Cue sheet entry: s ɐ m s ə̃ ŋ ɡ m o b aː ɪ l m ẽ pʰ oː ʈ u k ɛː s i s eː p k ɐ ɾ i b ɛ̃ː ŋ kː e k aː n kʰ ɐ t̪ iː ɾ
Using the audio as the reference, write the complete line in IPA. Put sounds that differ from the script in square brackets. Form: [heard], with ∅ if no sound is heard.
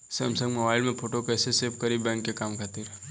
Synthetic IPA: s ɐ m s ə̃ ŋ ɡ m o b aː ɪ l m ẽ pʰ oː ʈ [o] k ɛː s [e] s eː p k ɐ ɾ i b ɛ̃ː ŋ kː e k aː [m] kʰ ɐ t̪ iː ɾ